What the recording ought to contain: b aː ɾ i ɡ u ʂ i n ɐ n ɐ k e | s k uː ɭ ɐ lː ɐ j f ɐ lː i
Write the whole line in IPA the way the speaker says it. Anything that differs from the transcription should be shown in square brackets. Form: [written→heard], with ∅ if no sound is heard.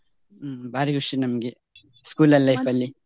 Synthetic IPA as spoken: b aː ɾ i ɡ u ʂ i n ɐ [n→m] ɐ [k→ɡ] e | s k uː [ɭ→l] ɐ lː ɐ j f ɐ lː i

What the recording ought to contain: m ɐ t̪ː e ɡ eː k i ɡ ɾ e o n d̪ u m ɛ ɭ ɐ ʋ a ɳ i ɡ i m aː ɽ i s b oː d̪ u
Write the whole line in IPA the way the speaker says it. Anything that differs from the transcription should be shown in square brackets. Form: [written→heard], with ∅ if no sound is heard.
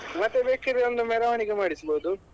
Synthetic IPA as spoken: m ɐ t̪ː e [ɡ→b] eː k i [ɡ→∅] ɾ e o n d̪ u m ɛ [ɭ→ɾ] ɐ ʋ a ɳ i ɡ [i→e] m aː ɽ i s b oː d̪ u

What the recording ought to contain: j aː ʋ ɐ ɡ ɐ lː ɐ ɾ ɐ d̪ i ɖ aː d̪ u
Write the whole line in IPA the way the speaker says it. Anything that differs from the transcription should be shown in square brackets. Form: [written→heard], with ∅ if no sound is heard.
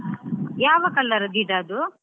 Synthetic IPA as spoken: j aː ʋ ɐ [ɡ→k] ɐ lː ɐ ɾ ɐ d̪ i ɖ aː d̪ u

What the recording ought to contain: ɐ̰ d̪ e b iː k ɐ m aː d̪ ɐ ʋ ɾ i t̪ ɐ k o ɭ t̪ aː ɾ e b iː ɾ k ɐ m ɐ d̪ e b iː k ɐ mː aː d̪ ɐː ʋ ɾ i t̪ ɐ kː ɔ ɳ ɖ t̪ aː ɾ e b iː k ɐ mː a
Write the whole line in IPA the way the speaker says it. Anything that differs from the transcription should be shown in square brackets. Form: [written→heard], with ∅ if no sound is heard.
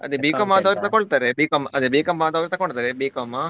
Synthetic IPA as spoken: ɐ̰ d̪ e b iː k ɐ m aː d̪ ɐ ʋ ɾ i t̪ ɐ k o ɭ t̪ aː ɾ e b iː [ɾ→∅] k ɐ m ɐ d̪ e b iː k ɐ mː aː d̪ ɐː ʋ ɾ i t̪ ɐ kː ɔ ɳ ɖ t̪ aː ɾ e b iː k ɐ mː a

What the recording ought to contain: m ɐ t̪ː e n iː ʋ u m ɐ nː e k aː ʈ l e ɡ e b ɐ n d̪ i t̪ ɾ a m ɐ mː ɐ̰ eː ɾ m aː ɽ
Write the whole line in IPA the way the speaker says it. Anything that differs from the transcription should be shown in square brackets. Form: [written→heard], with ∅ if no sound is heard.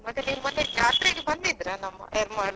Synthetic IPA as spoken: m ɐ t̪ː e n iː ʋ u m ɐ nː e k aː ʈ [l→ɾ] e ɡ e b ɐ n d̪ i [t̪→d̪] ɾ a [m→n] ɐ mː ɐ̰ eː ɾ m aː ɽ

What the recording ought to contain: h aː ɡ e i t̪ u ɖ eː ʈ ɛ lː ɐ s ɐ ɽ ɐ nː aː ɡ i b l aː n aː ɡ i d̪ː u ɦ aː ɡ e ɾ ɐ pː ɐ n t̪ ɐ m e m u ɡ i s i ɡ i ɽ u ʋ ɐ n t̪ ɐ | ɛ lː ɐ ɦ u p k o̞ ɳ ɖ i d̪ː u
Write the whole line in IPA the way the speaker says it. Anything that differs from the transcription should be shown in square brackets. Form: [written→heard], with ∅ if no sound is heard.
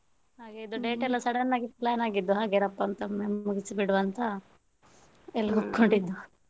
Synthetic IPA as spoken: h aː ɡ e i [t̪→d̪] u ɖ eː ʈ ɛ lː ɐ s ɐ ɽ ɐ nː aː ɡ i [b→p] l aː n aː ɡ i d̪ː u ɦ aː ɡ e ɾ ɐ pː ɐ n t̪ ɐ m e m u ɡ i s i [ɡ→b] i ɽ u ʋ ɐ n t̪ ɐ | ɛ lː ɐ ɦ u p k o̞ ɳ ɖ i d̪ː u

